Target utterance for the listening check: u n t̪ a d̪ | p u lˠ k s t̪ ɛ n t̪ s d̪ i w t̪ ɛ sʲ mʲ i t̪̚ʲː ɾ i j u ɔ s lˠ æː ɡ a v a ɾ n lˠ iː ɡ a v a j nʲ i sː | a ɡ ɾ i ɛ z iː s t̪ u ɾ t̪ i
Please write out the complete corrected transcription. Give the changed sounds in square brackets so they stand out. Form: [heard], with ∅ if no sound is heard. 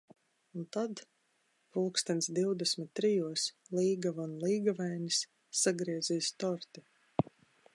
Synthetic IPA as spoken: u n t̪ a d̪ | p u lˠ k s t̪ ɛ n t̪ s d̪ i w [d̪] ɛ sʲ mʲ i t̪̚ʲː ɾ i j u ɔ s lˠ [iː] ɡ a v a [∅] n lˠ iː ɡ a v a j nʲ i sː | a ɡ ɾ i ɛ z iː s t̪ [ɔ] ɾ t̪ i